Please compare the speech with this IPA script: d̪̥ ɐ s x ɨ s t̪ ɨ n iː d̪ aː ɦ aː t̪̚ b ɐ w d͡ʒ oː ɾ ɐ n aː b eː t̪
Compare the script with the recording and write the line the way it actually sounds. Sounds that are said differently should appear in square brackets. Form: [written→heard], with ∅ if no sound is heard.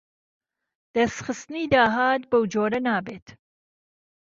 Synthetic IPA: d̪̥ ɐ s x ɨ s t̪ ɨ n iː d̪ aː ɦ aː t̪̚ b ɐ w d͡ʒ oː ɾ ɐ n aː b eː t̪